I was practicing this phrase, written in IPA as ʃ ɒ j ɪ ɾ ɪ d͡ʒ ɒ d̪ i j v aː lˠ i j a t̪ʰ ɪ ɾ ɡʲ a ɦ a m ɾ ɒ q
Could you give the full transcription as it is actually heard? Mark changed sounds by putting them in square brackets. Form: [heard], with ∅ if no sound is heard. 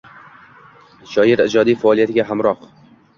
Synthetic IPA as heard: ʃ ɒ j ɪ ɾ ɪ d͡ʒ ɒ d̪ i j [f] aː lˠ i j a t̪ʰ ɪ [∅] ɡʲ a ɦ a m ɾ ɒ q